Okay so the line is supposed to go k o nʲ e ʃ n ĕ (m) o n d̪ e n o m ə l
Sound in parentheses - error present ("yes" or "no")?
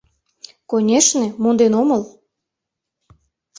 no